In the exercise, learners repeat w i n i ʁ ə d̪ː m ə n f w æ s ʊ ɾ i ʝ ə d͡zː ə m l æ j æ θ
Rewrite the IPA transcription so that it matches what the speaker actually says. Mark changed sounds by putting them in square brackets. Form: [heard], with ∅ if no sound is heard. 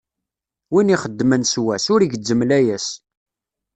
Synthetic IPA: w i n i [χ] ə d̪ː m ə n [s] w æ s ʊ ɾ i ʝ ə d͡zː ə m l æ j æ [s]